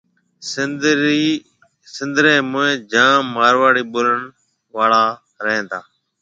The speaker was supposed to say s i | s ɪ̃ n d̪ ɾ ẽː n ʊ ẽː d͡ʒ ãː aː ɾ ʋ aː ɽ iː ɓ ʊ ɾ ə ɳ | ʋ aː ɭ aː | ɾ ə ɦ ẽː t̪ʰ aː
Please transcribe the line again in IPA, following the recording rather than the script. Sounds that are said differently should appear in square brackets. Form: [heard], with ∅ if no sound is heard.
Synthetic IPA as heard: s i | s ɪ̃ n d̪ ɾ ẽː [m] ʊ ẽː d͡ʒ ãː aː ɾ ʋ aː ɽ iː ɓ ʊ ɾ ə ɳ | ʋ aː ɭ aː | ɾ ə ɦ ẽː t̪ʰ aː